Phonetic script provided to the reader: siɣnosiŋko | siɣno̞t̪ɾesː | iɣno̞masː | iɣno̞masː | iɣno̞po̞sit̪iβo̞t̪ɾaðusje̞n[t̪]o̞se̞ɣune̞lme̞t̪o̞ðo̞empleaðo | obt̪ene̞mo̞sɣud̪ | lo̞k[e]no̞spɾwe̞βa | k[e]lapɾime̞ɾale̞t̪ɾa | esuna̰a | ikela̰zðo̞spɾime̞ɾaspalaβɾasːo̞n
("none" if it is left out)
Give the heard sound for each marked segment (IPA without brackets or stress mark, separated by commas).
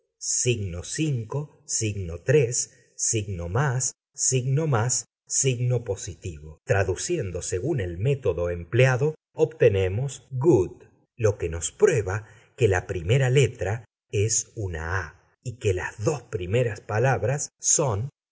d̪, e, e